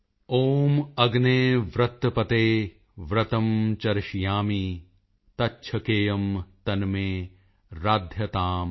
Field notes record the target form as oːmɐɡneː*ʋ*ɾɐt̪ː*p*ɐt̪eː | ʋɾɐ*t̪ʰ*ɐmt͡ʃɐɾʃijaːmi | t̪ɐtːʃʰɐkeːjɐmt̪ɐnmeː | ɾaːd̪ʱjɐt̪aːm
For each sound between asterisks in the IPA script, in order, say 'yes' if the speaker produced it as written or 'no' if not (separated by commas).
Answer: yes, yes, no